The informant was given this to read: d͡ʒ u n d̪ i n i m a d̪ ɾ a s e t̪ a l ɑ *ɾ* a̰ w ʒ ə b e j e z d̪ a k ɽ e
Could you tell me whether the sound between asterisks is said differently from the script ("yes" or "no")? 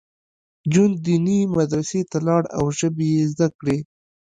yes